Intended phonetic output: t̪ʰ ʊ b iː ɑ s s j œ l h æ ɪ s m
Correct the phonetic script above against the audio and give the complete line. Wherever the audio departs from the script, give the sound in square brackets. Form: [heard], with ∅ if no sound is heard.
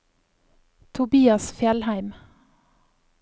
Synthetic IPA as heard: t̪ʰ ʊ b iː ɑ s [f] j [ɛ] l h æ ɪ [∅] m